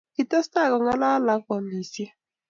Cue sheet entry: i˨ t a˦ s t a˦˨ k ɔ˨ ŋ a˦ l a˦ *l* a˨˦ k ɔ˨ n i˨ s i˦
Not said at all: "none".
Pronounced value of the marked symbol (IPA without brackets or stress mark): l